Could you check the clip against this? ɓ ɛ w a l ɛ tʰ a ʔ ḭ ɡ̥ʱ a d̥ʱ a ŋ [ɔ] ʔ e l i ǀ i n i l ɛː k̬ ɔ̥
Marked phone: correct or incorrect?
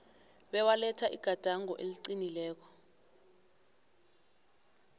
correct